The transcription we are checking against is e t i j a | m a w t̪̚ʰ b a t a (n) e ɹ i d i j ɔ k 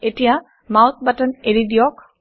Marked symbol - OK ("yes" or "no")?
yes